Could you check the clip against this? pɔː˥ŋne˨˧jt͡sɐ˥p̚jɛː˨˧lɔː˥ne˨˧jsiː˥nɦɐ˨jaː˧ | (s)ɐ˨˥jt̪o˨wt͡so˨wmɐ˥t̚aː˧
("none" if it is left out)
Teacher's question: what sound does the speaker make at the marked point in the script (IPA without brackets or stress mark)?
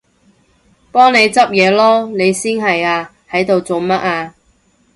h